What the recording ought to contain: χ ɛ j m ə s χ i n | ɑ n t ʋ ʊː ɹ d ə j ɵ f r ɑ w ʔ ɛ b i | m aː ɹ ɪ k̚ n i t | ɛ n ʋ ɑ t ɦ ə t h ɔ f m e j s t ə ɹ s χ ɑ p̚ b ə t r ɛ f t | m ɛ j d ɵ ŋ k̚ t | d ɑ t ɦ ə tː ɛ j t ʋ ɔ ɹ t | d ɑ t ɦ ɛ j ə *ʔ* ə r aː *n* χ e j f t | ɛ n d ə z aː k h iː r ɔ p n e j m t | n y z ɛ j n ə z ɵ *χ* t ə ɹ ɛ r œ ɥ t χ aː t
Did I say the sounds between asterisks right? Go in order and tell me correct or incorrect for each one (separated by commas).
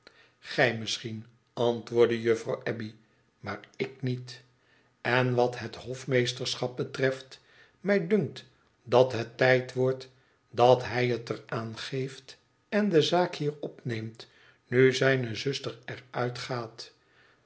incorrect, correct, incorrect